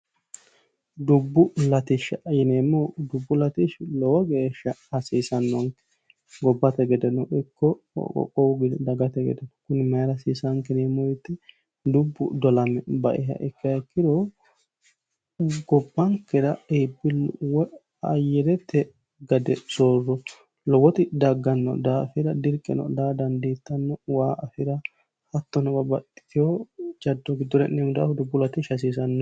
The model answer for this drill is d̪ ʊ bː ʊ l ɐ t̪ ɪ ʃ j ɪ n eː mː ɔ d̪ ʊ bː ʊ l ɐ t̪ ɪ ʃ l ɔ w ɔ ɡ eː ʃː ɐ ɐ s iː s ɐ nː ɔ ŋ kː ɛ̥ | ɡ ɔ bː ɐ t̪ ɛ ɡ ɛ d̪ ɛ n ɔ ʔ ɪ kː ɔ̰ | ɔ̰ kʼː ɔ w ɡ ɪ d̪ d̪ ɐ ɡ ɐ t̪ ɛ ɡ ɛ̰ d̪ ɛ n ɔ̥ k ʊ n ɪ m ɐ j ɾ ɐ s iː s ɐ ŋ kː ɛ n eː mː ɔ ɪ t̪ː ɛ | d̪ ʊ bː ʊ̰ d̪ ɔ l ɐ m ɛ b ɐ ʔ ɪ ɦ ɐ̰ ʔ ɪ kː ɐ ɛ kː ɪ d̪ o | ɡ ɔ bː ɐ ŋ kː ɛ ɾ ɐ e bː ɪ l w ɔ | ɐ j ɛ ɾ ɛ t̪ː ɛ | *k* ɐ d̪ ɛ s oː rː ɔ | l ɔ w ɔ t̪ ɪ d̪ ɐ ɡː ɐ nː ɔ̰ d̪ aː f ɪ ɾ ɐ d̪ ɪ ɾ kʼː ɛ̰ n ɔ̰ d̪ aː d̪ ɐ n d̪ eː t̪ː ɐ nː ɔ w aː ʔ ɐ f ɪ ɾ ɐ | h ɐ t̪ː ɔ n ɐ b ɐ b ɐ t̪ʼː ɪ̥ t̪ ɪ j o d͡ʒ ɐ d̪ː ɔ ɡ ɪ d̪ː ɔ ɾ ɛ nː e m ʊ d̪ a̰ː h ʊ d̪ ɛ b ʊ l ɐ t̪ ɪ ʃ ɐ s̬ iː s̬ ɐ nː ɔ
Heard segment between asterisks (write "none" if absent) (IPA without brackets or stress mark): ɡ